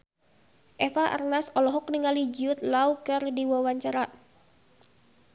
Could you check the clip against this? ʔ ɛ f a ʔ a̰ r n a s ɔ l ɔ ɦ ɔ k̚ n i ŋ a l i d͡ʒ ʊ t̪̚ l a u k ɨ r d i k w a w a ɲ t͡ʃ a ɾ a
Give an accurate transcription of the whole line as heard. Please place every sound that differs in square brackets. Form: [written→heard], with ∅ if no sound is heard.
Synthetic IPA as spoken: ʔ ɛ f a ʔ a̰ r n a s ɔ l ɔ ɦ ɔ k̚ n i ŋ a l i d͡ʒ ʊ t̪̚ l a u k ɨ r d i [k→∅] w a w a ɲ t͡ʃ a ɾ a